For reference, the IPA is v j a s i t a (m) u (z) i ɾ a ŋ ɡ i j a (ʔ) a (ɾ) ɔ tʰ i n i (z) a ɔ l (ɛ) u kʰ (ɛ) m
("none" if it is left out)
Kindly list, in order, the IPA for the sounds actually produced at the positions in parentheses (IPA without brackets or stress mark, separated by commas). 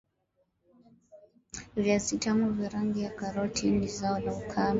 m, v, k, ɾ, z, a, a